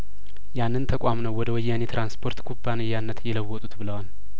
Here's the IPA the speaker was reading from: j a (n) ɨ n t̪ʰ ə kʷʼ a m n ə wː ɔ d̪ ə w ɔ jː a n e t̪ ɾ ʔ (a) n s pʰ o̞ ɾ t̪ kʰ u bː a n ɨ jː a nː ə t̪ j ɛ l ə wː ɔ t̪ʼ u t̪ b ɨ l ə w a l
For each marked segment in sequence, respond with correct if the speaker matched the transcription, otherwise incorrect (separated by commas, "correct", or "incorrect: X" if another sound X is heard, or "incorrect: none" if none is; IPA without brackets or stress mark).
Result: incorrect: nː, correct